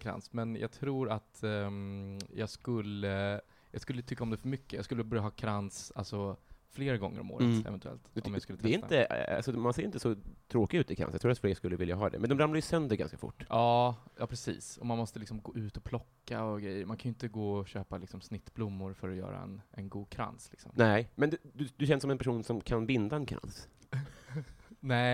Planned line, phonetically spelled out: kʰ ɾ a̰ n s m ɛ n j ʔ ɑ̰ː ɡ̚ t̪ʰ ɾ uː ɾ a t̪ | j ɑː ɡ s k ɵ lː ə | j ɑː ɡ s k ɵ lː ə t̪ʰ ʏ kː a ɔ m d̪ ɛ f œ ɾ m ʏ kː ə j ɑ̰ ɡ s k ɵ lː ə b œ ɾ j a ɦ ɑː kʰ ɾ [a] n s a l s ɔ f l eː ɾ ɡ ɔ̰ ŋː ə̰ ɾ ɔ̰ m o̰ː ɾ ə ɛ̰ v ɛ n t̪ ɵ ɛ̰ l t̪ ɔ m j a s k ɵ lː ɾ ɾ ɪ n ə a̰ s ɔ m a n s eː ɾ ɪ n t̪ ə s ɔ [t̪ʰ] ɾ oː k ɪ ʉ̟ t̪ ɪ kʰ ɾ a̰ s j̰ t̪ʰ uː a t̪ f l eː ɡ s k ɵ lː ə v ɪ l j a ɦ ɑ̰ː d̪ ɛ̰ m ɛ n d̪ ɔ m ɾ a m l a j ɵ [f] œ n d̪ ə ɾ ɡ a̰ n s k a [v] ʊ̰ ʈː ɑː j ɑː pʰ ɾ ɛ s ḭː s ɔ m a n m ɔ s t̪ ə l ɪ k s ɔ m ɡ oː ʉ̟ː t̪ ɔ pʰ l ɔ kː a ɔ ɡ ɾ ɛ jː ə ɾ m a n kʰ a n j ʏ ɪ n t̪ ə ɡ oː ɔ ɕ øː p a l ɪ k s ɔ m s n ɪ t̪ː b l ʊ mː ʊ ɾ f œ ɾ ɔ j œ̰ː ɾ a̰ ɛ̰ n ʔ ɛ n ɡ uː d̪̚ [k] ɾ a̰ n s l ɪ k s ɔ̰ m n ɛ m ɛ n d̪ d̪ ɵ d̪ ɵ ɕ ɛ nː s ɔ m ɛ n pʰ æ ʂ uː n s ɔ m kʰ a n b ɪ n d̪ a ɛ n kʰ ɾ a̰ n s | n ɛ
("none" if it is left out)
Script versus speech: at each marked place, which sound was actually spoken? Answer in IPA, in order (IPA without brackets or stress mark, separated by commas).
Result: a, t̪ʰ, s, f, kʰ